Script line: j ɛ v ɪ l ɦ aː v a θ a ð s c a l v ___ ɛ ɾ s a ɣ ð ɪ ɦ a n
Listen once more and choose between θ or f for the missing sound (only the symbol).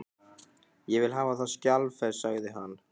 f